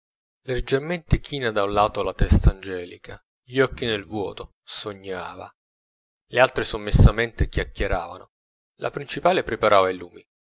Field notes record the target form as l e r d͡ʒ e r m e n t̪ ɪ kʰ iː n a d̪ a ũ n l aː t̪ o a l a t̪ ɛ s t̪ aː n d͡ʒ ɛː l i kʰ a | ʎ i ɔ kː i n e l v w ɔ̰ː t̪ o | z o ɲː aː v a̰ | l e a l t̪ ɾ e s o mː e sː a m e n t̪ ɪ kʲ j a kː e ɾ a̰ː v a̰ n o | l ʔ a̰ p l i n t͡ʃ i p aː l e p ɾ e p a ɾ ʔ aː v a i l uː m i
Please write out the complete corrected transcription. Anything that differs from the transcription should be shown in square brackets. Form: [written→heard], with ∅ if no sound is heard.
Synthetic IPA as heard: l e r d͡ʒ e r m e n t̪ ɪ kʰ iː n a d̪ a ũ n l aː t̪ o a l a t̪ ɛ s t̪ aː n d͡ʒ ɛː l i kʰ a | ʎ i ɔ kː i n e l v w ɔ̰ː t̪ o | [z→s] o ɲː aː v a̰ | l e a l t̪ ɾ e s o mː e sː a m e n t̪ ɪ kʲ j a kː e ɾ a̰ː v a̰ n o | l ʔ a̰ p [l→ɾ] i n t͡ʃ i p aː l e p ɾ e p a ɾ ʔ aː v a i l uː m i